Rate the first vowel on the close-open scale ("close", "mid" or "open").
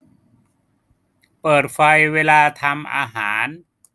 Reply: mid